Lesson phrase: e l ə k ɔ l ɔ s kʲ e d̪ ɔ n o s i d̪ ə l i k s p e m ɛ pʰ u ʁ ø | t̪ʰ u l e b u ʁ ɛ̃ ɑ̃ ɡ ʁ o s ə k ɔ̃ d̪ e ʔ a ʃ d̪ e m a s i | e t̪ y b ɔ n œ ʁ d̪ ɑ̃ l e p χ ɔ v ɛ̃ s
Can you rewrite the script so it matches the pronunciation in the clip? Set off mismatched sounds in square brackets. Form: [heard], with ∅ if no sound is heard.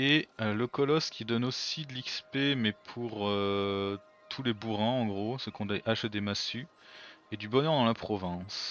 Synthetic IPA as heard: e l ə k ɔ l ɔ s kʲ [i] d̪ ɔ n o s i d̪ ə l i k s p e m ɛ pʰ u ʁ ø | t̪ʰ u l e b u ʁ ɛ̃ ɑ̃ ɡ ʁ o s ə k ɔ̃ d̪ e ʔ a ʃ d̪ e m a s [y] | e [d̪] y b ɔ n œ ʁ d̪ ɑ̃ l [a] p χ ɔ v ɛ̃ s

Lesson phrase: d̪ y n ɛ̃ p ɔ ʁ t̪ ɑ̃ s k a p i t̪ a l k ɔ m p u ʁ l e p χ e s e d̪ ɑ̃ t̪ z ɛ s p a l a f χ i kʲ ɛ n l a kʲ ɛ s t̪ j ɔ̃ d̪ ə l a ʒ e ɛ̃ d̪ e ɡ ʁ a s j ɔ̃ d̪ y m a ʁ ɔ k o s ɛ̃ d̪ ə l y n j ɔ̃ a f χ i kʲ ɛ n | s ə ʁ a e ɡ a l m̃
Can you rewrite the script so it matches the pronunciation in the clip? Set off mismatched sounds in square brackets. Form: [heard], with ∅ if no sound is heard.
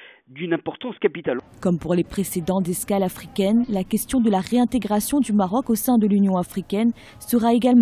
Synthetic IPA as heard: d̪ y n ɛ̃ p ɔ ʁ t̪ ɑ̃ s k a p i t̪ a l k ɔ m p u ʁ l e p χ e s e d̪ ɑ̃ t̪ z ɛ s [k] a l a f χ i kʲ ɛ n l a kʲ ɛ s t̪ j ɔ̃ d̪ ə l a [ʁ] e ɛ̃ [t̪] e ɡ ʁ a s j ɔ̃ d̪ y m a ʁ ɔ k o s ɛ̃ d̪ ə l y n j ɔ̃ a f χ i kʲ ɛ n | s ə ʁ a e ɡ a l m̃

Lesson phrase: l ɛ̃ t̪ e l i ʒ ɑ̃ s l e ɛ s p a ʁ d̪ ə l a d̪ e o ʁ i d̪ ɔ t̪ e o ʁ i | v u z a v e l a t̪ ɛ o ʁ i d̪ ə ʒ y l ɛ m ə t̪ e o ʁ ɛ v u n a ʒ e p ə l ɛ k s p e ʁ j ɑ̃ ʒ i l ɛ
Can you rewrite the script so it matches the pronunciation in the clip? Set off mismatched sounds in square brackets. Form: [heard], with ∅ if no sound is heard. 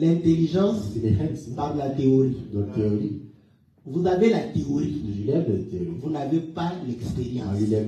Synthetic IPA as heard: l ɛ̃ t̪ e l i ʒ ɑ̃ s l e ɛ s p a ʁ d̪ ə l a [t̪] e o ʁ i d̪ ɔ t̪ e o ʁ i | v u z a v e l a t̪ [e] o ʁ i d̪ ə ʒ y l ɛ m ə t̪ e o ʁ [i] v u n a [v] e p [a] l ɛ k s p e ʁ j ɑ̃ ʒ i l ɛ

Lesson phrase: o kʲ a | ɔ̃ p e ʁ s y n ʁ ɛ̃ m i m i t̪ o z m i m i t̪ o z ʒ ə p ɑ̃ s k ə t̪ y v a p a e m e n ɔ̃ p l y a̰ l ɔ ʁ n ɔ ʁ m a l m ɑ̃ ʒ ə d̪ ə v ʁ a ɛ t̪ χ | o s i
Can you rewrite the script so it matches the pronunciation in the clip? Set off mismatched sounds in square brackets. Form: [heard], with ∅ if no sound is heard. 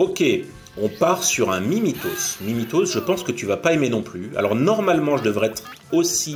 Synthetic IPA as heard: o kʲ [e] | ɔ̃ p [a] ʁ s y [∅] ʁ ɛ̃ m i m i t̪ o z m i m i t̪ o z ʒ ə p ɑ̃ s k ə t̪ y v a p a e m e n ɔ̃ p l y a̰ l ɔ ʁ n ɔ ʁ m a l m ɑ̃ ʒ ə d̪ ə v ʁ [ɛ] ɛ t̪ χ | o s i

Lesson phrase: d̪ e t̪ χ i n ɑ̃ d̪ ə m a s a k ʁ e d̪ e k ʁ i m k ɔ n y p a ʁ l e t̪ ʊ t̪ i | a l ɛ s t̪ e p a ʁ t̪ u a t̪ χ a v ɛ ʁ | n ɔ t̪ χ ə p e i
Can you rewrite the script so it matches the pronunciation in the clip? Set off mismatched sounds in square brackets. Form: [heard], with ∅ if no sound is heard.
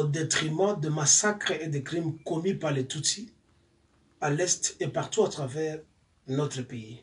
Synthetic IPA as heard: d̪ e t̪ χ i [m] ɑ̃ d̪ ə m a s a k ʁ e d̪ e k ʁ i m k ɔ [m] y p a ʁ l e t̪ [u] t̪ i | a l ɛ s t̪ e p a ʁ t̪ u a t̪ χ a v ɛ ʁ | n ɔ t̪ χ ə p e i

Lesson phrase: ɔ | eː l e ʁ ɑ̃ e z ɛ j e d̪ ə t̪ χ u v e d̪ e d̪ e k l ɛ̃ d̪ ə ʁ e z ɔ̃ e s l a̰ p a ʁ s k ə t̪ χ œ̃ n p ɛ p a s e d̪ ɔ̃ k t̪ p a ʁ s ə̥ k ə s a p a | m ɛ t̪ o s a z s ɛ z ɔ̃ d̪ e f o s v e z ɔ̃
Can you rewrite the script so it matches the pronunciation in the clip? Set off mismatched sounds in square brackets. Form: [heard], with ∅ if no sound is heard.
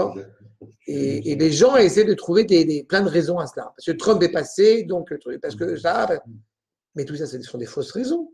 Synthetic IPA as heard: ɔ | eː l e [ʒ] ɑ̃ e [s] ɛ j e d̪ ə t̪ χ u v e d̪ e d̪ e [p] l ɛ̃ d̪ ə ʁ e z ɔ̃ [a] s l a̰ p a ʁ s k ə t̪ χ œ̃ [m] p ɛ p a s e d̪ ɔ̃ k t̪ p a ʁ s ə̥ k ə s a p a | m ɛ t̪ [u] s a [∅] s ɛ [s] ɔ̃ d̪ e f o s [ʁ] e z ɔ̃

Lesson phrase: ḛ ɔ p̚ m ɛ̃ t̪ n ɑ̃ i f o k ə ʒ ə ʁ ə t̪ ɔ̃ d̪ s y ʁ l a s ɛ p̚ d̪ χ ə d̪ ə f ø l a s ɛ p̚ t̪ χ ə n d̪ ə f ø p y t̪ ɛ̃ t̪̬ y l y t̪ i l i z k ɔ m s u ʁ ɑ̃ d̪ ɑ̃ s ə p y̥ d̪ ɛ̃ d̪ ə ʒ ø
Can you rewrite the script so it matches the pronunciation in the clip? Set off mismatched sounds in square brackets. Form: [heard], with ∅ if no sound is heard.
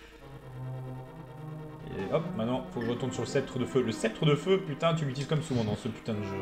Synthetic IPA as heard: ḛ ɔ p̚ m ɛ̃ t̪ n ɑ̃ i f o k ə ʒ ə ʁ ə t̪ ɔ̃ d̪ s y ʁ l [ə] s ɛ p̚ [t̪] χ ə d̪ ə f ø l [ə] s ɛ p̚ t̪ χ ə [∅] d̪ ə f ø p y t̪ ɛ̃ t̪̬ y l y t̪ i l i z k ɔ m s u [v] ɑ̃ d̪ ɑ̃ s ə p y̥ [t̪] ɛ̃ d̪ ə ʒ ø

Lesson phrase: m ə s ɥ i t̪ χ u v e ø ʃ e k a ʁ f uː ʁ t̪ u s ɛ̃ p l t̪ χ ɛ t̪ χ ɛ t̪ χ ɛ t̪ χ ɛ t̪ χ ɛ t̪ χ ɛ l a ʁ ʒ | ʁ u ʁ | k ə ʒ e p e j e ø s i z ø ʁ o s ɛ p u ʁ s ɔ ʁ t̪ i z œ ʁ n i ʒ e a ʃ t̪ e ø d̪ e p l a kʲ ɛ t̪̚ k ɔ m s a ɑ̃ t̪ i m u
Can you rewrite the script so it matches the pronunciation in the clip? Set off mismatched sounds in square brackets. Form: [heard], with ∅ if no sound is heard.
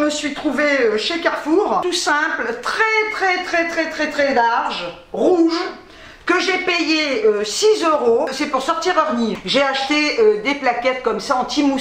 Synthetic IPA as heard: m ə s ɥ i t̪ χ u v e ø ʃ e k a ʁ f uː ʁ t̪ u s ɛ̃ p l t̪ χ ɛ t̪ χ ɛ t̪ χ ɛ t̪ χ ɛ t̪ χ ɛ t̪ χ ɛ l a ʁ ʒ | ʁ u [ʒ] | k ə ʒ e p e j e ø s i z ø ʁ o s ɛ p u ʁ s ɔ ʁ t̪ i [ʁ] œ ʁ n i ʒ e a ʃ t̪ e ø d̪ e p l a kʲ ɛ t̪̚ k ɔ m s a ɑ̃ t̪ i m u

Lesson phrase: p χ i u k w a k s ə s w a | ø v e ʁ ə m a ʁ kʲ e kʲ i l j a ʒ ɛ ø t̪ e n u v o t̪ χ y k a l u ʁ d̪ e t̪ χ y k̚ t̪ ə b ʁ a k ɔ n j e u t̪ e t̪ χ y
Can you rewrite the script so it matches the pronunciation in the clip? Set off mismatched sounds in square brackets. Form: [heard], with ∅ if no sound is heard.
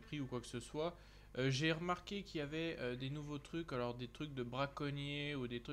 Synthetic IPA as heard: p χ i u k w a k s ə s w a | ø [ʒ] e ʁ ə m a ʁ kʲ e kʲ i l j a [v] ɛ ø [d̪] e n u v o t̪ χ y k a l [ɔ] ʁ d̪ e t̪ χ y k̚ [d̪] ə b ʁ a k ɔ n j e u [d̪] e t̪ χ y

